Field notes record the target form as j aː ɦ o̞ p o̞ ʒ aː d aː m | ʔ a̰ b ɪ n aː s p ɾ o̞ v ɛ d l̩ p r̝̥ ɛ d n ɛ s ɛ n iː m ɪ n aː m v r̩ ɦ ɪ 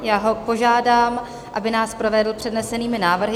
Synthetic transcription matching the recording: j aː ɦ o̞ p o̞ ʒ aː d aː m | ʔ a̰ b ɪ n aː s p ɾ o̞ v ɛ d l̩ p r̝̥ ɛ d n ɛ s ɛ n iː m ɪ n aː v r̩ ɦ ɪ